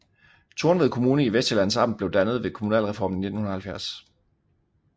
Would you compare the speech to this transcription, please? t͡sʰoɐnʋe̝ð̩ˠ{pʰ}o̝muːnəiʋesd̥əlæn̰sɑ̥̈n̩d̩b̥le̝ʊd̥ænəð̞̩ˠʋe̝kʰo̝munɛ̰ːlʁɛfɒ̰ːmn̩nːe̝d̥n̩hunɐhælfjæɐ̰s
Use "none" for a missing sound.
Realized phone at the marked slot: kʰ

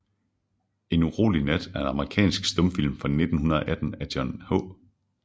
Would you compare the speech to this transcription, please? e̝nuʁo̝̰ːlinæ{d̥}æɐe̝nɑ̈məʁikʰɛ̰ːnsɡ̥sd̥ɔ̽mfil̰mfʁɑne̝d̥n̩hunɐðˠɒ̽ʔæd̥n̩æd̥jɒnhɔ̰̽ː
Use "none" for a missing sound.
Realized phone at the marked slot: d̥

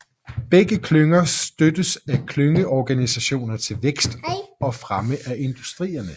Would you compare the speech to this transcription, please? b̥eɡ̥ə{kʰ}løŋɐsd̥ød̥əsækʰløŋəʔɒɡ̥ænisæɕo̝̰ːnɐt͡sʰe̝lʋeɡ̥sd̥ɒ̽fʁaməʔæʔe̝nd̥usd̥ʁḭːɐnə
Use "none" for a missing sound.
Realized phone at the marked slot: kʰ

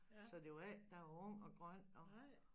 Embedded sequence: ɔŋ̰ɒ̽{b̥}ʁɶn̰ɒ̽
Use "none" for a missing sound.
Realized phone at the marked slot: ɡ̥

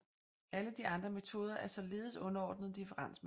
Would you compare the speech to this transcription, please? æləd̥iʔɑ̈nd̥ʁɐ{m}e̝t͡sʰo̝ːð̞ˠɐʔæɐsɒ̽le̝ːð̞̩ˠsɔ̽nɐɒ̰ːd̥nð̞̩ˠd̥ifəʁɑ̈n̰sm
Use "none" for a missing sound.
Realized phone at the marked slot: m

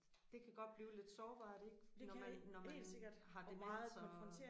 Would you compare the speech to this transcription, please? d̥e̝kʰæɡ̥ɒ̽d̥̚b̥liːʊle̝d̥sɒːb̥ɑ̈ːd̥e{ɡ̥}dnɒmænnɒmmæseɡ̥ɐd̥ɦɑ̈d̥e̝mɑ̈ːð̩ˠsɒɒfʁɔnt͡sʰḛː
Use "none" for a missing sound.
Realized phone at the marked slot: ɡ̥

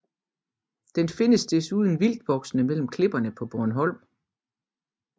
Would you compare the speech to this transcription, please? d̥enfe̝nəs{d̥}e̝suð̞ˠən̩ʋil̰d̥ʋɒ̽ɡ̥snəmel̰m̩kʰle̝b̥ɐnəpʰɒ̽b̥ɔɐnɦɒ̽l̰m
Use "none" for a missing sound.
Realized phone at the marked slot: d̥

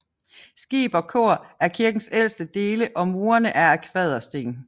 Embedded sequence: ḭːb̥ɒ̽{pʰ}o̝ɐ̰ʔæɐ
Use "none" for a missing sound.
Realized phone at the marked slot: kʰ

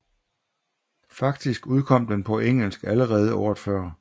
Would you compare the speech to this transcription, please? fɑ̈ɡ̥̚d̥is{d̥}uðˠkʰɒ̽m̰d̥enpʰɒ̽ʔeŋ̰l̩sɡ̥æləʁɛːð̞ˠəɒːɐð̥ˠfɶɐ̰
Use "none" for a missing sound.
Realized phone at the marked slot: ɡ̥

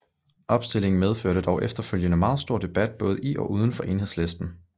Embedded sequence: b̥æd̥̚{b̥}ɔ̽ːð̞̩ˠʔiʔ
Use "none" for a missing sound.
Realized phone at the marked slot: b̥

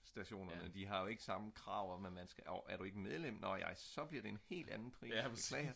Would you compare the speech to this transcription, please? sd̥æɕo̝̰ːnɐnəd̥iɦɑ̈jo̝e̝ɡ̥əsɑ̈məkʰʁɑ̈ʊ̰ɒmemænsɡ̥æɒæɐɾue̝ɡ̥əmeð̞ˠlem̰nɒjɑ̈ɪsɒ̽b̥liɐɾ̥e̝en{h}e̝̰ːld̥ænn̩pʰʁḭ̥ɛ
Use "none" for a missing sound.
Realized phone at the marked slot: h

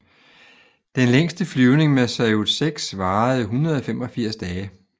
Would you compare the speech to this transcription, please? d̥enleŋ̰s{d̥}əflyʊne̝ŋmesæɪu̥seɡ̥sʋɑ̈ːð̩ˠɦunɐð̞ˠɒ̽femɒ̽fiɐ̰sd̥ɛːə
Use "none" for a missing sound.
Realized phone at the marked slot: d̥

